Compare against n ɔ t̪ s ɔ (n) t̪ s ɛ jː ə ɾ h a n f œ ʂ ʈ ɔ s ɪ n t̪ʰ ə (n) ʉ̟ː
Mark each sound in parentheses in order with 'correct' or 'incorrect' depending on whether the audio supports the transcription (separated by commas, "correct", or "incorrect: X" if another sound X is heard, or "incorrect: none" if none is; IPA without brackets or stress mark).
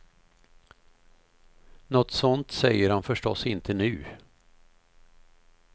correct, correct